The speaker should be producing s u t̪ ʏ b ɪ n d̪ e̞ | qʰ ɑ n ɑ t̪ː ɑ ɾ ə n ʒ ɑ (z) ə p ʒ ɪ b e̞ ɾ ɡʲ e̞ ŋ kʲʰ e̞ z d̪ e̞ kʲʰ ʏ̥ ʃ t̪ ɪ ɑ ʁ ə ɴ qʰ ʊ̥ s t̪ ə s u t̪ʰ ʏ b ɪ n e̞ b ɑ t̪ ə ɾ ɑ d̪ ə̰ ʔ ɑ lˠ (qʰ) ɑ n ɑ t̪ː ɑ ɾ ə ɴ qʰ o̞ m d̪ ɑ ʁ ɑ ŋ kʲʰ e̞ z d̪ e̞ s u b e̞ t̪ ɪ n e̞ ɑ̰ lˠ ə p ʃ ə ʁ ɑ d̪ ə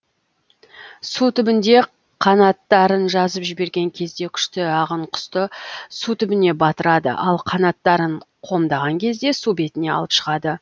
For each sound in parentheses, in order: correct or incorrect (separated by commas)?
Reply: correct, correct